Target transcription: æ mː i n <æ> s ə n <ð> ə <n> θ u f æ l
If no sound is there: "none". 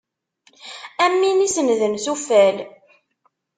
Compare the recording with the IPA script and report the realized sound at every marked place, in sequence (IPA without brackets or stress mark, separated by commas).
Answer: i, ð, n